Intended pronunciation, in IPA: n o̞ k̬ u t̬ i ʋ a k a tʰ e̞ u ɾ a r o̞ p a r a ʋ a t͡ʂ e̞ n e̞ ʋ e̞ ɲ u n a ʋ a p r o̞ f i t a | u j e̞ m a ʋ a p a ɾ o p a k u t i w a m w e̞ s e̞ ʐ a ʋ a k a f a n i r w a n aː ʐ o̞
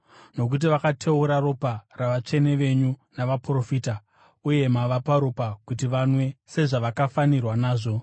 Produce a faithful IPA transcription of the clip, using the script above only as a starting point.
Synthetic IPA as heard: n o̞ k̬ u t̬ i ʋ a k a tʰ e̞ u ɾ a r o̞ p a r a ʋ a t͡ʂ e̞ n e̞ ʋ e̞ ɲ u n a ʋ a p r o̞ f i t a | u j e̞ m a ʋ a p a ɾ o p a k u t i ʋ a n w e̞ s e̞ ʐ a ʋ a k a f a n i r w a n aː ʐ o̞